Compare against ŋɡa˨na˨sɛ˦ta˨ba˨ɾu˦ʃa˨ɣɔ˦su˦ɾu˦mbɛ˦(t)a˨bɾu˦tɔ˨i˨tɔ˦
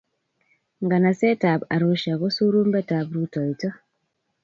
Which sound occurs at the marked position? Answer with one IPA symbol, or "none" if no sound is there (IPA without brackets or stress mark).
t